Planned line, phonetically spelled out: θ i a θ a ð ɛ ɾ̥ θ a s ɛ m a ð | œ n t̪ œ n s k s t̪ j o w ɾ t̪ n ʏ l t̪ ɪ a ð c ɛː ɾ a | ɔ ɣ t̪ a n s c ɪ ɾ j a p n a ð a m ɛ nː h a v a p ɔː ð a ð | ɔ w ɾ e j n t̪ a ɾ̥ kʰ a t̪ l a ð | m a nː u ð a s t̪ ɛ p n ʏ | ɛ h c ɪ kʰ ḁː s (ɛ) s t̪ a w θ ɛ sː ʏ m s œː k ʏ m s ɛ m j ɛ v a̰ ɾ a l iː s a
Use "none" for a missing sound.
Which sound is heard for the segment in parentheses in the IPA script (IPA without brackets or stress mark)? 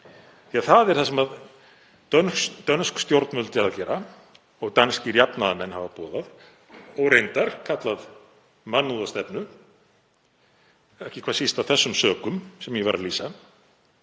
i